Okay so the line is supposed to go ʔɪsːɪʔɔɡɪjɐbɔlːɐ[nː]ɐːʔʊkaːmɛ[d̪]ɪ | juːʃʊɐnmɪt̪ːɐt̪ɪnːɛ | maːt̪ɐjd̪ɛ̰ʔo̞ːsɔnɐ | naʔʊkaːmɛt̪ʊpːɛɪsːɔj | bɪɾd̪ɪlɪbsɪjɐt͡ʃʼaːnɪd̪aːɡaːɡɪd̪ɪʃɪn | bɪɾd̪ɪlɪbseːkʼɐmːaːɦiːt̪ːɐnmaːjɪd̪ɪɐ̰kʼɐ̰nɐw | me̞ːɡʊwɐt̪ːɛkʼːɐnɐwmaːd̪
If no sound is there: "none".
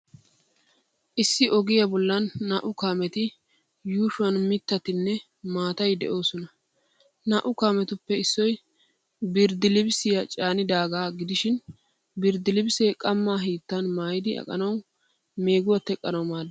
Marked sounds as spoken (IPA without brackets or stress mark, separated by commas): nː, t̪